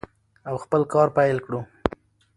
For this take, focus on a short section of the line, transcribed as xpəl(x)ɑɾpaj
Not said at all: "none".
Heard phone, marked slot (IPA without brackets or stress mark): k